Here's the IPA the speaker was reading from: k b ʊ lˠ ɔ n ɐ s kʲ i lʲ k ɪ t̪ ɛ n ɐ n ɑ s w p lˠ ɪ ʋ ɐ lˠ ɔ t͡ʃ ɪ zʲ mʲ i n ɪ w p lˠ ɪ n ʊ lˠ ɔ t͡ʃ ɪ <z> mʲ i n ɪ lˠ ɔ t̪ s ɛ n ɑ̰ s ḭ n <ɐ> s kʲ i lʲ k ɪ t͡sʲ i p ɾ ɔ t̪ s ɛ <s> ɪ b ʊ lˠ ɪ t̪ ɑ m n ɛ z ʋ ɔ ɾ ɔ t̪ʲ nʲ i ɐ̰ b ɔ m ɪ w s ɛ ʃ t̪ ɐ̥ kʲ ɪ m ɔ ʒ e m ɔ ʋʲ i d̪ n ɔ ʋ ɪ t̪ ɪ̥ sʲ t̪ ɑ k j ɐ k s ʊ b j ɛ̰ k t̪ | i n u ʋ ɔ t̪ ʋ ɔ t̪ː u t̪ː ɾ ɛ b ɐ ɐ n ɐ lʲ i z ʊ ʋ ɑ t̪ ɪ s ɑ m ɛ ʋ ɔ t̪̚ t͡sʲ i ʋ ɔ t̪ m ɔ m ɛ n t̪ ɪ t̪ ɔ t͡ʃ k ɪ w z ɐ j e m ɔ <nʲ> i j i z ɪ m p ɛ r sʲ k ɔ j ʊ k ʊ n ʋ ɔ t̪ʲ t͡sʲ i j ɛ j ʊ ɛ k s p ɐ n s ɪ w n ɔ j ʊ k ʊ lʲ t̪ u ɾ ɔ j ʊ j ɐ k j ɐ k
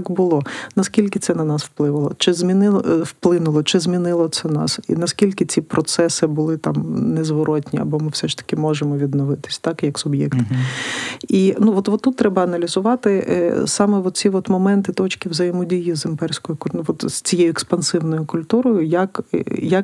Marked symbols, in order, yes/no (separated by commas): yes, yes, yes, no